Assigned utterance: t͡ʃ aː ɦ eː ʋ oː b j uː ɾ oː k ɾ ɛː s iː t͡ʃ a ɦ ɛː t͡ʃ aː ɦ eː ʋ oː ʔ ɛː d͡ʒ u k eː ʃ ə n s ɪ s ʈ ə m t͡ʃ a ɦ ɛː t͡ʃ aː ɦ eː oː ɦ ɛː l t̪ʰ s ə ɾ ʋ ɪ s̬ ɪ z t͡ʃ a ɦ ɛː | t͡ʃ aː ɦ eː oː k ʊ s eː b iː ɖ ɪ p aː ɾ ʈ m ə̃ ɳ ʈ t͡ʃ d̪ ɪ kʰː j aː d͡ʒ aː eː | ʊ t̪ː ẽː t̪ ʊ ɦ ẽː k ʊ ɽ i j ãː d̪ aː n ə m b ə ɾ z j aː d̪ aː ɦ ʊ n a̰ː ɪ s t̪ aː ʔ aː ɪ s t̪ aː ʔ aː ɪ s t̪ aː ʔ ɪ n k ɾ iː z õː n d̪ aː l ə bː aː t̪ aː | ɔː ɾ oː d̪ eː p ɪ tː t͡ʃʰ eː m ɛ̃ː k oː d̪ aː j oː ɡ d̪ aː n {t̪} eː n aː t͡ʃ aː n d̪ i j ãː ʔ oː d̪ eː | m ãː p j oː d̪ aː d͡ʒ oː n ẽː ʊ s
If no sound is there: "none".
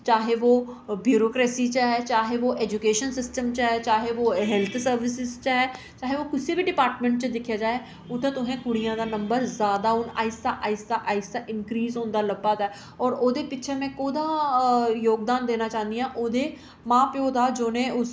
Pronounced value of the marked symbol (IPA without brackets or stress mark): d̪